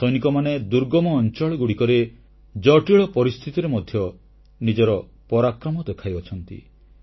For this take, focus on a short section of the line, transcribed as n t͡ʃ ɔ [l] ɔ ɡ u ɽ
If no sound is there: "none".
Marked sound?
ɭ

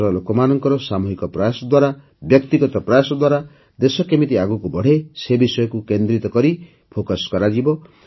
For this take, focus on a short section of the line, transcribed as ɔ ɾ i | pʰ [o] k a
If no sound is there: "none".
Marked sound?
o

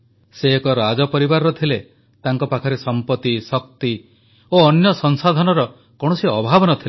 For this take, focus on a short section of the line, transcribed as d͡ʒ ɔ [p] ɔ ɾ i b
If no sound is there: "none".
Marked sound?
p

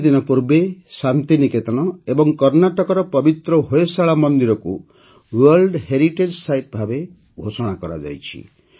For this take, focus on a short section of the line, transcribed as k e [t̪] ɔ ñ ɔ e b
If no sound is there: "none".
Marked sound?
t̪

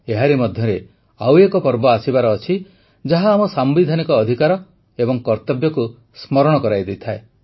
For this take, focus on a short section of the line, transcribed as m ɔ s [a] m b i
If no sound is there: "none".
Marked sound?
a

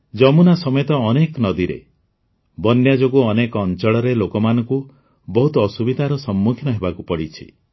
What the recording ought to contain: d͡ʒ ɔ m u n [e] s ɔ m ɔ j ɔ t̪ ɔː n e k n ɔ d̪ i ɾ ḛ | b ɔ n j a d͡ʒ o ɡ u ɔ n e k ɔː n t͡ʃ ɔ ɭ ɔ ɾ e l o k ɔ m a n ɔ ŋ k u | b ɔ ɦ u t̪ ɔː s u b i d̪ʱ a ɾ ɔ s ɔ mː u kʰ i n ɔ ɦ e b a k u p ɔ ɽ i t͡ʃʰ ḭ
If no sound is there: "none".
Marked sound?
a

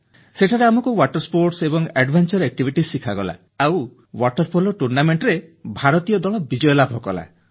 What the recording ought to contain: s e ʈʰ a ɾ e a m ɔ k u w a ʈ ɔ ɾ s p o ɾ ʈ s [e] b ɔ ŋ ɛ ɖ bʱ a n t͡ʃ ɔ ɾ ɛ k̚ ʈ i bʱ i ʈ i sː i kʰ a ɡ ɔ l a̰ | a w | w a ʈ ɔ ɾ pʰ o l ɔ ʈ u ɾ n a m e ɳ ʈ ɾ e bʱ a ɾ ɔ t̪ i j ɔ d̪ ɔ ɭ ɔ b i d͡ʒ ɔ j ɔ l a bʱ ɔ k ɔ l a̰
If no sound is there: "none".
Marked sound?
e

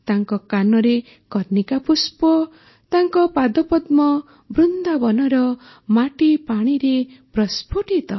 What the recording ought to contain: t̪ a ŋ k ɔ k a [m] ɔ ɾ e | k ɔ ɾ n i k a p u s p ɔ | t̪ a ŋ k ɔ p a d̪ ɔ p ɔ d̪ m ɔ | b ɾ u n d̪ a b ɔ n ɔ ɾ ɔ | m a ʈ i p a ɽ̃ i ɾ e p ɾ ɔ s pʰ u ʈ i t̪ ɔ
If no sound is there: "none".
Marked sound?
n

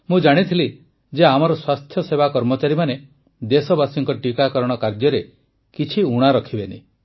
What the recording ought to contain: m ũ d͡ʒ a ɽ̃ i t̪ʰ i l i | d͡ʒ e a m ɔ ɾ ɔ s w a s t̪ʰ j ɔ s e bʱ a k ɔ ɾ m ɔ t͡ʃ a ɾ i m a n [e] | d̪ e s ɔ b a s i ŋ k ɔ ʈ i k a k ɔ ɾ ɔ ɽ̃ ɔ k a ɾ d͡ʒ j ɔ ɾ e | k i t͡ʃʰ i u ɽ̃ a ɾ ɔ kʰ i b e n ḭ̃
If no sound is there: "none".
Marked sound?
e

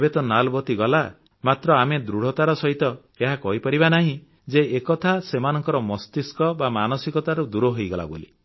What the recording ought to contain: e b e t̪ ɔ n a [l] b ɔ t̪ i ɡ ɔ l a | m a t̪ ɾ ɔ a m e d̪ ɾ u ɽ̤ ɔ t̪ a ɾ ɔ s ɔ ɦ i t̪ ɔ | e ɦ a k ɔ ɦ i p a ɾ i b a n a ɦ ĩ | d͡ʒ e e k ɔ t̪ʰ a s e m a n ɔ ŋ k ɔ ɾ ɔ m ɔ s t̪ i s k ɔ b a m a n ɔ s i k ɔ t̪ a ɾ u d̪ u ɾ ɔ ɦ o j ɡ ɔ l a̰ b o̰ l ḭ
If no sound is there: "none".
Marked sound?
l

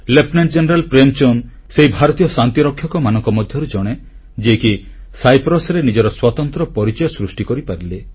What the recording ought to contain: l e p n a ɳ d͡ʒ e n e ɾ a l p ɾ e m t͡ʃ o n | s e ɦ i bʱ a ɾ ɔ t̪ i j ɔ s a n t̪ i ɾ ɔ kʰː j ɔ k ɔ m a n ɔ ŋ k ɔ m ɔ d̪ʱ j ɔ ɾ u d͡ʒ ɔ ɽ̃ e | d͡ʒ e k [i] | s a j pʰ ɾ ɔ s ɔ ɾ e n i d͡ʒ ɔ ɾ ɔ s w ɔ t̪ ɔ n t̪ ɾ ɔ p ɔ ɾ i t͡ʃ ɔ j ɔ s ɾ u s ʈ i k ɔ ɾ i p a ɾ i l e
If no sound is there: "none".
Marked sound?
i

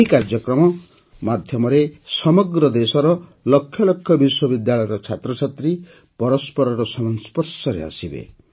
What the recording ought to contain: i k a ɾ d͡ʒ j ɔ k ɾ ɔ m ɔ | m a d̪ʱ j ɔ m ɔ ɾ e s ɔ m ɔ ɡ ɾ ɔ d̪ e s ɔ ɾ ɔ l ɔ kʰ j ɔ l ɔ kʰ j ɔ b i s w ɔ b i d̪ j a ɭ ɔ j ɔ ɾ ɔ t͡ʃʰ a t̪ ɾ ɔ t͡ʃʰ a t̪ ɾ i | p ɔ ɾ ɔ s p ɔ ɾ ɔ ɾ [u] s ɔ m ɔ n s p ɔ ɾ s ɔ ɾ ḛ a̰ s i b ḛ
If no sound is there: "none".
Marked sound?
ɔ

